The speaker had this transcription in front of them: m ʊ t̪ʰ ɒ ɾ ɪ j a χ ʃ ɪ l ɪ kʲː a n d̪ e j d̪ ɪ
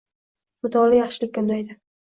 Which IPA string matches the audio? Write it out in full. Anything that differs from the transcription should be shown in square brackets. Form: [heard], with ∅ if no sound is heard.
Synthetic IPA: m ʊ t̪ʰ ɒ [l] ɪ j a χ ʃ ɪ l ɪ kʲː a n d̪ [a] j d̪ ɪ